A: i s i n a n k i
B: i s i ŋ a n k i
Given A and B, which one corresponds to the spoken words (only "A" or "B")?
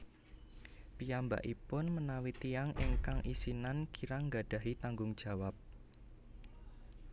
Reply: A